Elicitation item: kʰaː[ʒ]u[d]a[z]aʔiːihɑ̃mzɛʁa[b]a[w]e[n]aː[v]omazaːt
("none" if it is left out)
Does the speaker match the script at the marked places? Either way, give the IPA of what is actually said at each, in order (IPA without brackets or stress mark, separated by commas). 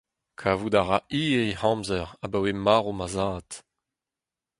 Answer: v, d, ʁ, b, w, m, ʁ